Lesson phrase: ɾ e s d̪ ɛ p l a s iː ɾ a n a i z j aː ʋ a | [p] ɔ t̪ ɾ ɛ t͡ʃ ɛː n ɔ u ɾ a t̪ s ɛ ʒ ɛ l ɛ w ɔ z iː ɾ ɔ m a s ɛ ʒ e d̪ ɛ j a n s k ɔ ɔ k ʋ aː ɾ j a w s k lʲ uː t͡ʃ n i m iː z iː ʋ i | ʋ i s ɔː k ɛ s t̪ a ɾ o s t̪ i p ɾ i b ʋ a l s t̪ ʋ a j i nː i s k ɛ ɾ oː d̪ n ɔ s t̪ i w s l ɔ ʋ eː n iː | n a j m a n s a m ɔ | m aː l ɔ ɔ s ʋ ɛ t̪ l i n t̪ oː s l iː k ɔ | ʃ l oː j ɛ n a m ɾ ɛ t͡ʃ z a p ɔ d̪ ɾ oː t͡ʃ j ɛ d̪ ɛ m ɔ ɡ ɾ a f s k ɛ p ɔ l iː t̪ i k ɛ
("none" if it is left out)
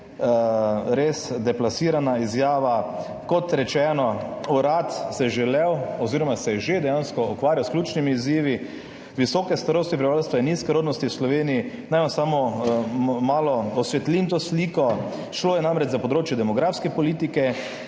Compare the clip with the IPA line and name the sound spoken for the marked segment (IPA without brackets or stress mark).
k